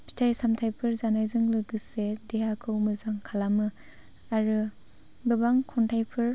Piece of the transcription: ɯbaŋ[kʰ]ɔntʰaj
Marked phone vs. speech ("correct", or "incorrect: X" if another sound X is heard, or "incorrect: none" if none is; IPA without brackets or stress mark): correct